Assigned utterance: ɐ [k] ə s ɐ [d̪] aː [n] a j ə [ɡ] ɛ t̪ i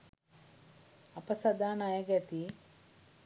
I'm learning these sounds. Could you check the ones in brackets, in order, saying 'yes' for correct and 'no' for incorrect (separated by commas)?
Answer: no, yes, yes, yes